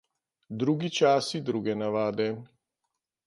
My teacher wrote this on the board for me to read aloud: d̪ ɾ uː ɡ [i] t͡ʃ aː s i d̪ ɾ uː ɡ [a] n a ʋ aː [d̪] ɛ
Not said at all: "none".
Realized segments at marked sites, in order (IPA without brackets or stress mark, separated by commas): i, ɛ, d̪